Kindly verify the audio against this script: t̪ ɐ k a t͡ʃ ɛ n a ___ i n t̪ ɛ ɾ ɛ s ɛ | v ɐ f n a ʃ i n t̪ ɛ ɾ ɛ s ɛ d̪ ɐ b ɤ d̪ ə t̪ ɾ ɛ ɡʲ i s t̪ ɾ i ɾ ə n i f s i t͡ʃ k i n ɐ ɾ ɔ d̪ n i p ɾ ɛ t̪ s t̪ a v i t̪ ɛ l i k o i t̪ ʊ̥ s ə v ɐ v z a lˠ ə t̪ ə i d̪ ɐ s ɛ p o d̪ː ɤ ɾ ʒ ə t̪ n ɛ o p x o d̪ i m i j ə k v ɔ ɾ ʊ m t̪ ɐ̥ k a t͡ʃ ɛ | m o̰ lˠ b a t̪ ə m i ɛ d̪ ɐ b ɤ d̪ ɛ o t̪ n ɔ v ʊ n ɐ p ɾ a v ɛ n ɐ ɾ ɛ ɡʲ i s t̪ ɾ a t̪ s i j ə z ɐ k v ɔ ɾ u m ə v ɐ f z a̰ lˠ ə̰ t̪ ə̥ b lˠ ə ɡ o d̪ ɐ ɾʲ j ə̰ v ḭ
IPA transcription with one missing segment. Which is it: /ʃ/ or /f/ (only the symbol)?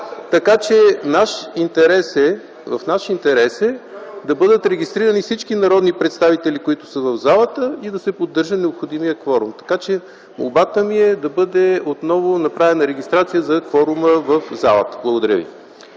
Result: ʃ